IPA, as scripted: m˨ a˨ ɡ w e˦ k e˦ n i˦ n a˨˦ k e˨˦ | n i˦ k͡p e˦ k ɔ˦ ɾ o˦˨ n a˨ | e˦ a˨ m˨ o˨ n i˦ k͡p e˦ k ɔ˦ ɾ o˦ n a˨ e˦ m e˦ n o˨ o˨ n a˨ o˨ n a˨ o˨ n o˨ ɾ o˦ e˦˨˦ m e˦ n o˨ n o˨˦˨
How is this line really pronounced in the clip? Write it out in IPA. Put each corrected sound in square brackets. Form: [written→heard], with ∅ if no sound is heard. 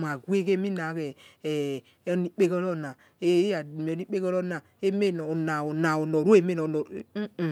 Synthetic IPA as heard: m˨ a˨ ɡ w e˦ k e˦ [n→m] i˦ n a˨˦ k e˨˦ | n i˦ k͡p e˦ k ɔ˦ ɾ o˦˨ n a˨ | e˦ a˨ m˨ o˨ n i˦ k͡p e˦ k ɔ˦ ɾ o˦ n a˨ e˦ m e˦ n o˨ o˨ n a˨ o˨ n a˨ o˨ n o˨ ɾ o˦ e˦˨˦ m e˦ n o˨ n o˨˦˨